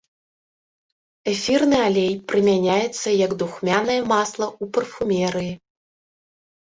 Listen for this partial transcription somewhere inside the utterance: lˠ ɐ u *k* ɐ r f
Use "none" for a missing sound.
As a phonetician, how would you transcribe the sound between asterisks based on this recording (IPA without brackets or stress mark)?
p